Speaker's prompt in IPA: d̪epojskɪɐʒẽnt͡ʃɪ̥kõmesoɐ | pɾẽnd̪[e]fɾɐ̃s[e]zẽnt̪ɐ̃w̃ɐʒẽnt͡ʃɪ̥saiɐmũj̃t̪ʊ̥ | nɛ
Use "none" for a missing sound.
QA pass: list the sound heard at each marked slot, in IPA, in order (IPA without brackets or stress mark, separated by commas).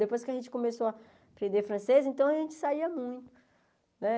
e, e